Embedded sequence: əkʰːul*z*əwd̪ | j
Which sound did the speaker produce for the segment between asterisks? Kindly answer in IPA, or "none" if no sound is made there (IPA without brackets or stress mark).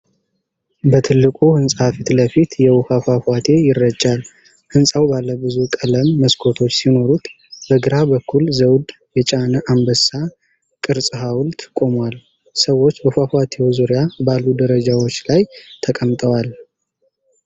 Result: z